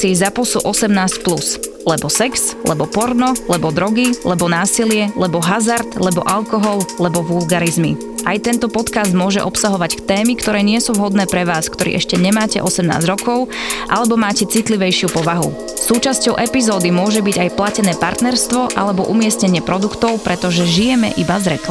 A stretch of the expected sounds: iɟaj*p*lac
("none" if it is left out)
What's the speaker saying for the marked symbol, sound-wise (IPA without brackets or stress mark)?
p